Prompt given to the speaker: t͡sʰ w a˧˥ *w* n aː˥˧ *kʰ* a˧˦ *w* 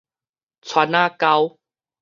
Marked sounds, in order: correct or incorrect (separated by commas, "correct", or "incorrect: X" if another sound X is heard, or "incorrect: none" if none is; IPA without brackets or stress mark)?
incorrect: none, incorrect: k, correct